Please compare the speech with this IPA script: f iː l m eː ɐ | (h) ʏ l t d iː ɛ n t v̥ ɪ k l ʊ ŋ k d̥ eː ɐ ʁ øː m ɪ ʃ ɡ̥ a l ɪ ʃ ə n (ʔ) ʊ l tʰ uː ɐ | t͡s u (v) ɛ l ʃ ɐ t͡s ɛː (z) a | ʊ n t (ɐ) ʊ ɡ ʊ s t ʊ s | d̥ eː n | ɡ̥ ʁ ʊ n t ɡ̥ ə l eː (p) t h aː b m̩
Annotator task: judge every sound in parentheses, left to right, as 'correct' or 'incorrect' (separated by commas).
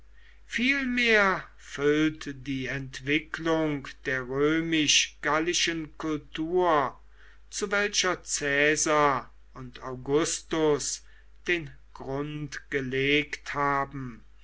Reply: incorrect, incorrect, correct, correct, incorrect, incorrect